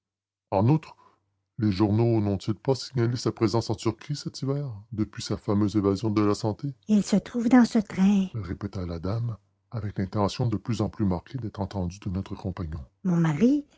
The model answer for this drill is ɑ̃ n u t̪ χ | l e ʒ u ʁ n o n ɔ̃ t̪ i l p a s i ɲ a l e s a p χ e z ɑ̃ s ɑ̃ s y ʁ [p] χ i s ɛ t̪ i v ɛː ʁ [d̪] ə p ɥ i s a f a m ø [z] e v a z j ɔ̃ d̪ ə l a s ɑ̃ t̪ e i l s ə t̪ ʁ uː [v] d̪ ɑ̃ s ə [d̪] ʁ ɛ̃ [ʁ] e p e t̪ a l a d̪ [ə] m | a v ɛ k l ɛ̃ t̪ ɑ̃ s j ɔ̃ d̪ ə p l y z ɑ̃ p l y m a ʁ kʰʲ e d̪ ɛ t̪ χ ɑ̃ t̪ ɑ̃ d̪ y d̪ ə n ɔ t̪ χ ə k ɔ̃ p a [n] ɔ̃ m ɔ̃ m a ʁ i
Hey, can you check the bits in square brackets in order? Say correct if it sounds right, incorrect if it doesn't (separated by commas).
incorrect, correct, correct, correct, incorrect, correct, incorrect, incorrect